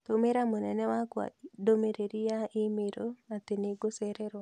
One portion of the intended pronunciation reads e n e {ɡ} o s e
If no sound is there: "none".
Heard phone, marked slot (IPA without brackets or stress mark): ɡ